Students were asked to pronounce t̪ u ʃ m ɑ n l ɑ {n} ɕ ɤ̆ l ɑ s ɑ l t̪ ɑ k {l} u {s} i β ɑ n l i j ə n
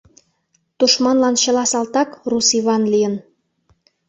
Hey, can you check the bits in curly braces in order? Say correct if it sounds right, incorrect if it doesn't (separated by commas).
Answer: correct, incorrect, correct